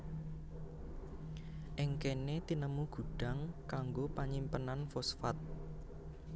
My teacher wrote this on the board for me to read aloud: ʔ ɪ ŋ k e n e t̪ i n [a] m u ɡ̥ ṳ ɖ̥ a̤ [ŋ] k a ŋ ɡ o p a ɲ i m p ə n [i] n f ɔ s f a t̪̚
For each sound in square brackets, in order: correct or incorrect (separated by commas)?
incorrect, correct, incorrect